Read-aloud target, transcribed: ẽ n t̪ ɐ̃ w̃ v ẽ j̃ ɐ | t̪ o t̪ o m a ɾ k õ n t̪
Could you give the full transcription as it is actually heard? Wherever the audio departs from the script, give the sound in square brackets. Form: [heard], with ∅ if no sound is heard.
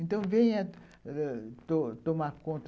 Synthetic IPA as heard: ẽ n t̪ ɐ̃ w̃ v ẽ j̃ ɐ | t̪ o t̪ o m a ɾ k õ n t̪